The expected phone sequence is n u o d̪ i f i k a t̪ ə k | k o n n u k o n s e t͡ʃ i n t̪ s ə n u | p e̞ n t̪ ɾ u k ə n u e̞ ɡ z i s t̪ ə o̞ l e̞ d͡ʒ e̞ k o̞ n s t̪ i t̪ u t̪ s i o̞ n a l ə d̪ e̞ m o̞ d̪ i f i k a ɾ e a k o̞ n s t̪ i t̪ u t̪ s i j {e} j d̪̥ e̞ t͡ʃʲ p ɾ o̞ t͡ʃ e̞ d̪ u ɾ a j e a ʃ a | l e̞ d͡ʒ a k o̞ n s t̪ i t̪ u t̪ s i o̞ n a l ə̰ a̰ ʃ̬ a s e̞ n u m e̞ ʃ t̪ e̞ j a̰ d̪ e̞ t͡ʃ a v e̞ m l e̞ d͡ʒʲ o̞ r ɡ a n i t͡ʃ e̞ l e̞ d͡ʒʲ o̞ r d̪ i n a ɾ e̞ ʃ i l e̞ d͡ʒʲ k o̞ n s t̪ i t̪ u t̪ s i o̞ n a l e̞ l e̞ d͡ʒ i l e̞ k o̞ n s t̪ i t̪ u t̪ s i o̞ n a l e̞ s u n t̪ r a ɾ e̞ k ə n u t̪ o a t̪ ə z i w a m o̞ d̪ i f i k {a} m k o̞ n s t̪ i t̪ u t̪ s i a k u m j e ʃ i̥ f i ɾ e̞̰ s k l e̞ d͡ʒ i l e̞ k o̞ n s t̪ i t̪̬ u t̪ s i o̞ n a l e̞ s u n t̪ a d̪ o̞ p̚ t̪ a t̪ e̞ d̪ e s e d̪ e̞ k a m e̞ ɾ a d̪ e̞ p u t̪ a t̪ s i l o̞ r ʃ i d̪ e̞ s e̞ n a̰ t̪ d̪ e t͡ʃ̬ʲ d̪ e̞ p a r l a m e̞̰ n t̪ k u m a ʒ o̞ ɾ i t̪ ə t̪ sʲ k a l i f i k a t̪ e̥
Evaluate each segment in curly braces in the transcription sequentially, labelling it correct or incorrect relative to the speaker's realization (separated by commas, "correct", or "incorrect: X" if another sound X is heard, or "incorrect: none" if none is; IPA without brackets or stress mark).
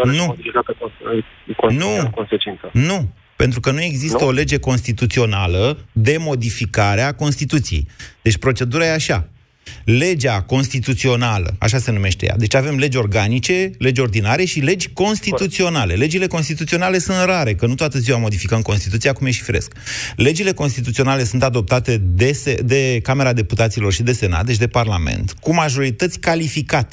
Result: correct, incorrect: ə